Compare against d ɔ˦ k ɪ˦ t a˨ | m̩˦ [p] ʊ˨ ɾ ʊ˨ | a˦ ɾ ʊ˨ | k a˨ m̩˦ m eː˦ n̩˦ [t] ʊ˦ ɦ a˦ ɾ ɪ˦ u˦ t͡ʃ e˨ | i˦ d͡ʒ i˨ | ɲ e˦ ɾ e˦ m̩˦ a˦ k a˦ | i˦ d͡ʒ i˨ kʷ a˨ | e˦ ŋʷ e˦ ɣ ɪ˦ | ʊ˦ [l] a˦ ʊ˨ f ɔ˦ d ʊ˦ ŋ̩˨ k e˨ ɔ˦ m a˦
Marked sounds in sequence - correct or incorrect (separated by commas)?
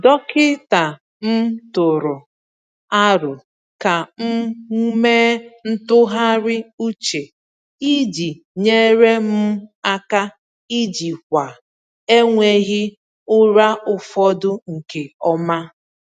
incorrect, correct, incorrect